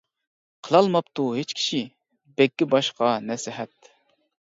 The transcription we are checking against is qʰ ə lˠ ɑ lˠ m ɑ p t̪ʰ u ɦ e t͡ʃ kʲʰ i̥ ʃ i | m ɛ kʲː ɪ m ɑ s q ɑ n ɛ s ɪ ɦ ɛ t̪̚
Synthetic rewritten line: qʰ ə lˠ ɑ lˠ m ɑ p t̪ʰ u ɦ e t͡ʃ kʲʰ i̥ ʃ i | b ɛ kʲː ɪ b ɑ ʃ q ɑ n ɛ s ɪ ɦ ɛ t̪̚